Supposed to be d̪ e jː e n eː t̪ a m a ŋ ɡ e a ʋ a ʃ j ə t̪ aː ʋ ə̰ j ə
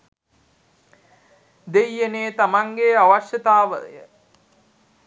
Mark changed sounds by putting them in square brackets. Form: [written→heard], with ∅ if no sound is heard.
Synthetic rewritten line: d̪ e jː e n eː t̪ a m a ŋ ɡ e a ʋ a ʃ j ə t̪ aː ʋ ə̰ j ə

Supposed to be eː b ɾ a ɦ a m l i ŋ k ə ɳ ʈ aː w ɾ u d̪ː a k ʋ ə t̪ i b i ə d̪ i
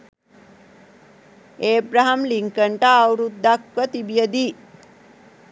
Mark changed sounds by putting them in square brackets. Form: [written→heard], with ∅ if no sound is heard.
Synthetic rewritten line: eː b ɾ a ɦ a m l i ŋ k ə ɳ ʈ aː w ɾ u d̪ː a k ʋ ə t̪ i b [i→j] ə d̪ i

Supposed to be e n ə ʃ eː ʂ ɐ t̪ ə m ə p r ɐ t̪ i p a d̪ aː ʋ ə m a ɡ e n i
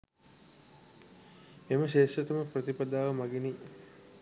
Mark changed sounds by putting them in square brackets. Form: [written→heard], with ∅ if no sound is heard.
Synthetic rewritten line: e [n→m] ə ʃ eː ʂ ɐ t̪ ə m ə p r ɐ t̪ i p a d̪ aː ʋ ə m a ɡ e n i

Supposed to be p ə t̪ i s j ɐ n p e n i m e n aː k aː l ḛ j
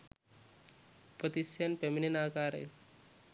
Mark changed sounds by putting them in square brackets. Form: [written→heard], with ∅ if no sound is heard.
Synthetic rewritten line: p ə t̪ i s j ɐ n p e [n→m] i [m→n] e n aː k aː [l→ɾ] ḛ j

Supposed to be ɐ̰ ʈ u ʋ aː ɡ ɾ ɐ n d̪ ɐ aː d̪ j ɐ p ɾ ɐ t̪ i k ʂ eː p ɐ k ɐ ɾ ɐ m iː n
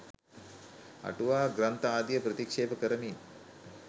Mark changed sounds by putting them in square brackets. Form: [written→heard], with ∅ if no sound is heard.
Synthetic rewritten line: ɐ̰ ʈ u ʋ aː ɡ ɾ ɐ n [d̪→t̪] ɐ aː d̪ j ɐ p ɾ ɐ t̪ i k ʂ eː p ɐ k ɐ ɾ ɐ m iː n

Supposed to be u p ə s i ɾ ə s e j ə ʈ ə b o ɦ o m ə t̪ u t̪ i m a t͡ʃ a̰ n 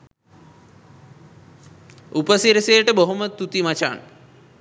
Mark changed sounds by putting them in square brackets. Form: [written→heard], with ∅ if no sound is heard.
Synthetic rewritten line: u p ə s i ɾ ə s e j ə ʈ ə b o ɦ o m ə t̪ u t̪ i m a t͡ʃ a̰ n

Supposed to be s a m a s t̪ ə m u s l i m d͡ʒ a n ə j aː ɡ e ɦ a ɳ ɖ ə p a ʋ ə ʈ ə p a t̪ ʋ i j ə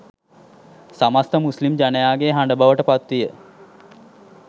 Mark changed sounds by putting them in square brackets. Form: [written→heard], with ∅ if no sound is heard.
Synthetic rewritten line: s a m a s t̪ ə m u s l i m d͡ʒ a n ə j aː ɡ e ɦ a ɳ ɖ ə [p→b] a ʋ ə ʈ ə p a t̪ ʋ i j ə

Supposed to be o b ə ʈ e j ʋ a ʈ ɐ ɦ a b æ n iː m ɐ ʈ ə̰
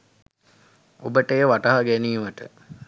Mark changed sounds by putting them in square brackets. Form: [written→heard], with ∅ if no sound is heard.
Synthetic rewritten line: o b ə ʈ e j ʋ a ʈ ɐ ɦ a [b→ɡ] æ n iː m [ɐ→ə] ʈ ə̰

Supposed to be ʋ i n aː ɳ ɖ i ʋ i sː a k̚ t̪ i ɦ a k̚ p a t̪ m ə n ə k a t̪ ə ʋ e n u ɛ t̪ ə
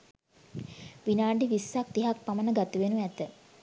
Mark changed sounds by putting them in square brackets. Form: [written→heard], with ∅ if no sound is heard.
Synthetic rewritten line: ʋ i n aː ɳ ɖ i ʋ i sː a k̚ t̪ i ɦ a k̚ p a [t̪→∅] m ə n ə [k→ɡ] a t̪ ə ʋ e n u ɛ t̪ ə

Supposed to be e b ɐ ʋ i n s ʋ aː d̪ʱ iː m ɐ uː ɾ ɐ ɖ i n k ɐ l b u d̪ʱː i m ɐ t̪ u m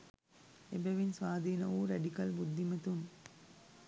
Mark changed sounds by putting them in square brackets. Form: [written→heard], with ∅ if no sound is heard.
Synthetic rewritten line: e b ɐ ʋ i n s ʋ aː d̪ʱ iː [m→n] ɐ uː ɾ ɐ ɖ i [n→∅] k ɐ l b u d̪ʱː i m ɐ t̪ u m

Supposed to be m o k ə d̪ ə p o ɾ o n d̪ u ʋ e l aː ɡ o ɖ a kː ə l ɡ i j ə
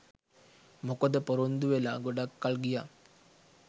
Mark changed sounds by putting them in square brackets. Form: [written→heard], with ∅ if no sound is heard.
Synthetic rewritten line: m o k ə d̪ ə p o ɾ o n d̪ u ʋ e l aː ɡ o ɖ a kː [ə→a] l ɡ i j [ə→a]

